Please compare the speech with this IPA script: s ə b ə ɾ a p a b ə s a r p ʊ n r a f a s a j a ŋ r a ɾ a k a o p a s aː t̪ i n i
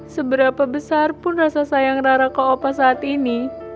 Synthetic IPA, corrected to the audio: s ə b ə ɾ a p a b ə s a r p ʊ n r a s a s a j a ŋ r a ɾ a k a o p a s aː t̪ i n i